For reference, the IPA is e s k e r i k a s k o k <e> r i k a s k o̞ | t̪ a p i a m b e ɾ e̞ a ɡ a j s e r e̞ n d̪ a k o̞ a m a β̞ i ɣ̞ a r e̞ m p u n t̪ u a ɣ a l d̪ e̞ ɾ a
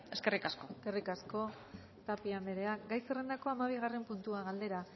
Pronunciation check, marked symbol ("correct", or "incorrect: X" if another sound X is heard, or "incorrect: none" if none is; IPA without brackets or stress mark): correct